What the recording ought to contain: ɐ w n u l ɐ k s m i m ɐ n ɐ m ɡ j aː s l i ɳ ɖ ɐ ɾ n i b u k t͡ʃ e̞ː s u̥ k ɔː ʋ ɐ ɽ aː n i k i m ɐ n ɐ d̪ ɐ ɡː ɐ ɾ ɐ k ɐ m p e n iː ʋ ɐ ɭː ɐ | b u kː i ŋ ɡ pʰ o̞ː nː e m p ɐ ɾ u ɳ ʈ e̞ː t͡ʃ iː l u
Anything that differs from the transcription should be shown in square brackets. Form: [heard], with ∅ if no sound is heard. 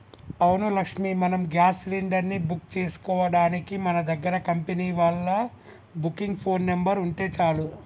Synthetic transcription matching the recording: ɐ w n u l ɐ k [ʂ] m i m ɐ n ɐ m ɡ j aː s l i ɳ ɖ ɐ ɾ n i b u k t͡ʃ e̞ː s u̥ k ɔː ʋ ɐ ɽ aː n i k i m ɐ n ɐ d̪ ɐ ɡː ɐ ɾ ɐ k ɐ m p e n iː ʋ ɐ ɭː ɐ | b u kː i ŋ ɡ pʰ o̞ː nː e m [b] ɐ ɾ u ɳ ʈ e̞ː t͡ʃ [aː] l u